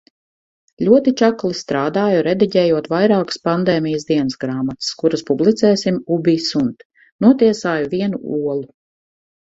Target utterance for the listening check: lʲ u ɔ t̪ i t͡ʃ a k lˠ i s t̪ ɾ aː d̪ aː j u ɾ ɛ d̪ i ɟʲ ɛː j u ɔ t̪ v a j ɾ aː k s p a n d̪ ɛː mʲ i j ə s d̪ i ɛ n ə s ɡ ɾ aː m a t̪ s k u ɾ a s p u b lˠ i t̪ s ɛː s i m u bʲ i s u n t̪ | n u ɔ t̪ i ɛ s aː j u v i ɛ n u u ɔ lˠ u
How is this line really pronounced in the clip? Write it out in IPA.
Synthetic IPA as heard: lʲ u ɔ t̪ i t͡ʃ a k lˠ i s t̪ ɾ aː d̪ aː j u ɾ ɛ d̪ i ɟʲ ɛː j u ɔ t̪ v a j ɾ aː k s p a n d̪ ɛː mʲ i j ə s d̪ i ɛ n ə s ɡ ɾ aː m a t̪ s k u ɾ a s p u b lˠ i t̪ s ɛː s i m u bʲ i s u n t̪ | n u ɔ t̪ i ɛ s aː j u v i ɛ n u u ɔ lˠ u